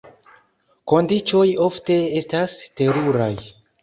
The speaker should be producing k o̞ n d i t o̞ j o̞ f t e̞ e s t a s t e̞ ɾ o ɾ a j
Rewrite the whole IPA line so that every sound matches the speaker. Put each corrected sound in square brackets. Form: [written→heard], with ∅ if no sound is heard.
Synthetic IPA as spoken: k o̞ n d i [t→t͡ʃ] o̞ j o̞ f t e̞ e s t a s t e̞ ɾ [o→u] ɾ a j